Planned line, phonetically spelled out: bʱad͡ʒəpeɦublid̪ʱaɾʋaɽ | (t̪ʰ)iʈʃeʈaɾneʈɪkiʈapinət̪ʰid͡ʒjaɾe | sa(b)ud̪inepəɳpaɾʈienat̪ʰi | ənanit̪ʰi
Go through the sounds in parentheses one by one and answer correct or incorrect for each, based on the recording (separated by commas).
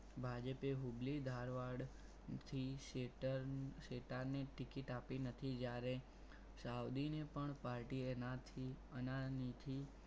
correct, incorrect